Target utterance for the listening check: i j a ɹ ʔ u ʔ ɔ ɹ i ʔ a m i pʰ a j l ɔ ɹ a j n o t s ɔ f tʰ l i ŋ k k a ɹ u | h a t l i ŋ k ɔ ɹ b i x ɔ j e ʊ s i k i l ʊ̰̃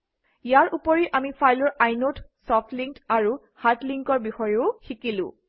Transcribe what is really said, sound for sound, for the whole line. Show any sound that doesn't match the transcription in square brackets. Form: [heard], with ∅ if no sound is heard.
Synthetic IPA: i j a ɹ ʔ u [p] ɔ ɹ i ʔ a m i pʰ a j l ɔ ɹ a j n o t s ɔ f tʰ l i ŋ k [t] a ɹ u | h a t l i ŋ k ɔ ɹ b i x ɔ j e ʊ [x] i k i l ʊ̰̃